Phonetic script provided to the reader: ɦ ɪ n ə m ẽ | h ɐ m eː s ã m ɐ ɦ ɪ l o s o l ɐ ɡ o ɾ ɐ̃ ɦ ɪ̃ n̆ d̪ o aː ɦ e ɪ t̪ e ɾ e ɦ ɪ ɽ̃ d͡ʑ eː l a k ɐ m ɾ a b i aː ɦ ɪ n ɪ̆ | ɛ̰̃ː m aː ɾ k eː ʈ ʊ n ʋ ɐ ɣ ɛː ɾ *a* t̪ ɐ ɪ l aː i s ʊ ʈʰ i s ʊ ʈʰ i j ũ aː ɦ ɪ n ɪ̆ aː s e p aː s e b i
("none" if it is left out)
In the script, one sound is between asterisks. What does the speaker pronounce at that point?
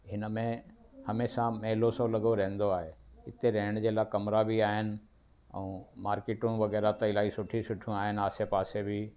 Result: a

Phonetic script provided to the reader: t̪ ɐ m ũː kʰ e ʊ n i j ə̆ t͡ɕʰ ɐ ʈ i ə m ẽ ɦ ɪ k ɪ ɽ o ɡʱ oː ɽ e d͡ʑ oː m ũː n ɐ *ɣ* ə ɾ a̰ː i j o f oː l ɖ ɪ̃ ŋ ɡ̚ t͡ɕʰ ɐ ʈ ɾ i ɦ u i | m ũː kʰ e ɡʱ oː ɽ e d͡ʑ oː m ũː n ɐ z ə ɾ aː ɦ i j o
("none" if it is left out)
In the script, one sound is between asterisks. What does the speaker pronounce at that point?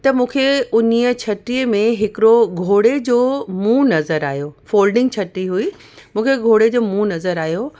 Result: z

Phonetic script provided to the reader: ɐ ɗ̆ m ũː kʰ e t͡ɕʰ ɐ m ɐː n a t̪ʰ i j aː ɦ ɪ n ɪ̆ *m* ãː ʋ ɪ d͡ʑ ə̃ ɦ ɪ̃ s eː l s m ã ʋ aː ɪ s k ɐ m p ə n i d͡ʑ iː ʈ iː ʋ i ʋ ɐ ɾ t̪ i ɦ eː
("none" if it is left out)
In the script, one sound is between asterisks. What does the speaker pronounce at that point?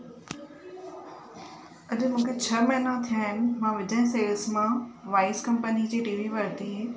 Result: m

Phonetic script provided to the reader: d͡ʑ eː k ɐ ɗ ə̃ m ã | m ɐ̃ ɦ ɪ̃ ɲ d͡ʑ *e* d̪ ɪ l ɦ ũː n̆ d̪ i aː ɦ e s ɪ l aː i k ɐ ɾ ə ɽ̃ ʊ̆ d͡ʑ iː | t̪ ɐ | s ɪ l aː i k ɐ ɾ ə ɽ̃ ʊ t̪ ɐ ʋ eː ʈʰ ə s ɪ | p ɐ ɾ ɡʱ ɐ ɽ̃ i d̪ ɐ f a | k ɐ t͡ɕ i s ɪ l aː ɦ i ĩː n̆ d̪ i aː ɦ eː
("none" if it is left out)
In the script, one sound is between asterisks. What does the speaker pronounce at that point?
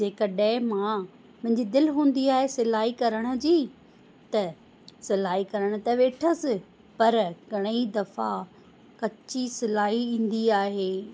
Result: i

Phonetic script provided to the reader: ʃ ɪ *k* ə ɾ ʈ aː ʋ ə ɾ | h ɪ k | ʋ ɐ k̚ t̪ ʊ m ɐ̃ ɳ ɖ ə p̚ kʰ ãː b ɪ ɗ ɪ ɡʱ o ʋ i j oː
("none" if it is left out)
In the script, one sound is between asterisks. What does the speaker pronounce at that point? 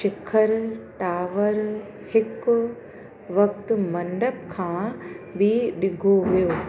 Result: kʰ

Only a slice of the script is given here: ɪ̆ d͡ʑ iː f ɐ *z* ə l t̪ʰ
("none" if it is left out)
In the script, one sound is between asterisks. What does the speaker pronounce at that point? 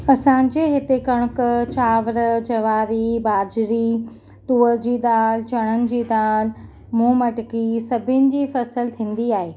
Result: s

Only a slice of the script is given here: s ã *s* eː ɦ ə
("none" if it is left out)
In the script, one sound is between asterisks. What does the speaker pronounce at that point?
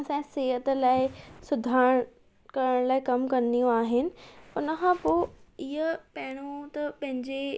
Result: s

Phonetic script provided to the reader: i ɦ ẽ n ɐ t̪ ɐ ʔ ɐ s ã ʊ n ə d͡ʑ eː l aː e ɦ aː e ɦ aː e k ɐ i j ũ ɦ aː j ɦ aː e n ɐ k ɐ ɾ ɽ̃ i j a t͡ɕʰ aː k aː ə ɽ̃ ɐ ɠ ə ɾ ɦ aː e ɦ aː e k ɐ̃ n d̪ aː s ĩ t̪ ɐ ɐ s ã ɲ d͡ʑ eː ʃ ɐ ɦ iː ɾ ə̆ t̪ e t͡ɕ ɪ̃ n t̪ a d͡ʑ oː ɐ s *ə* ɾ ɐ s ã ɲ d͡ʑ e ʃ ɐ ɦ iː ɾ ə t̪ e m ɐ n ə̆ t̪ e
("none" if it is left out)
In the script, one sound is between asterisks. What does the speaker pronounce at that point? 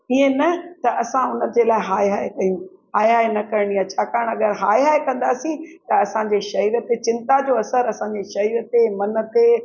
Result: ə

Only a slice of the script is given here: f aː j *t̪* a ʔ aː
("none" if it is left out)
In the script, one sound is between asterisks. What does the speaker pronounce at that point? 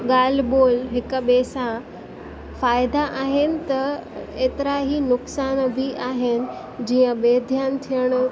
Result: d̪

